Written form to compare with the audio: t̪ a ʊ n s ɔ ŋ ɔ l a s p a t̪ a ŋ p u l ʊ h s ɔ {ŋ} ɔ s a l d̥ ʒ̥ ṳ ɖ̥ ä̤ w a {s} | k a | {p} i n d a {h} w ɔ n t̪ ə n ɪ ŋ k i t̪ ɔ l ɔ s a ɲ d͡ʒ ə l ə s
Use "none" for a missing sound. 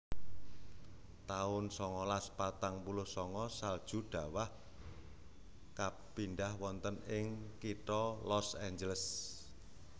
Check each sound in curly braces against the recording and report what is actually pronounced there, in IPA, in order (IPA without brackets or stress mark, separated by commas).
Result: ŋ, h, p, h